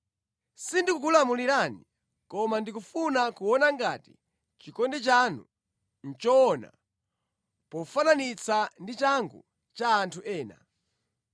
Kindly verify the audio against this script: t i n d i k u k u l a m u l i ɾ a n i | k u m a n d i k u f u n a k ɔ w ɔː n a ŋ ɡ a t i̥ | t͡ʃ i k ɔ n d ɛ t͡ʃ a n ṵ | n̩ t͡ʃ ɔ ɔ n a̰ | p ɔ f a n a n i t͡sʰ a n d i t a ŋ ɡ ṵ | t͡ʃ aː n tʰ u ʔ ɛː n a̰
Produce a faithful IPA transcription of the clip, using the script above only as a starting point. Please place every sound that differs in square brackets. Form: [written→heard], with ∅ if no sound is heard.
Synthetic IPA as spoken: [t→s] i n d i k u k u l a m u l i ɾ a n i | k [u→ɔ] m a n d i k u f u n a k [ɔ→u] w [ɔː→ɔ] n a ŋ ɡ a t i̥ | t͡ʃ i k ɔ n d ɛ t͡ʃ a n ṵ | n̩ t͡ʃ ɔ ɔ n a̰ | p ɔ f a n a n i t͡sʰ a n d i [t→t͡ʃ] a ŋ ɡ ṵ | t͡ʃ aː n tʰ u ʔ ɛː n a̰